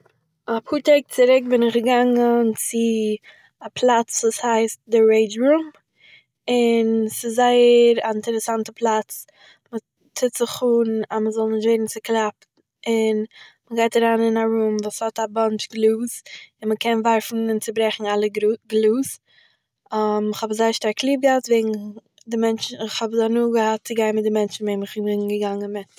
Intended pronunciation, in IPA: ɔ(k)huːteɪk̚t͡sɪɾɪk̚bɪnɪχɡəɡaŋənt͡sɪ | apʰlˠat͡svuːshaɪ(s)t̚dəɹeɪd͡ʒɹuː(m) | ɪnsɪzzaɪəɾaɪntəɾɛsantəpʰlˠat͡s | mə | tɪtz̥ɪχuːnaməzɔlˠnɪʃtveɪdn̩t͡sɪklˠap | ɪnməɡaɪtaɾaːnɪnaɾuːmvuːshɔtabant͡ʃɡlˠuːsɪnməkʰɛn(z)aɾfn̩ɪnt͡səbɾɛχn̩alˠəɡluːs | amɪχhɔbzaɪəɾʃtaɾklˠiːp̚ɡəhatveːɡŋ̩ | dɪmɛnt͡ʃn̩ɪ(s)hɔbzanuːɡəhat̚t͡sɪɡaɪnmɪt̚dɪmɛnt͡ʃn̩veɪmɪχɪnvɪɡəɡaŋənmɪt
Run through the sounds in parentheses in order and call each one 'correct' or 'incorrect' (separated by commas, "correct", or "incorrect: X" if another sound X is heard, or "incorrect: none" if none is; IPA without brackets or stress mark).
incorrect: p, correct, correct, incorrect: v, incorrect: χ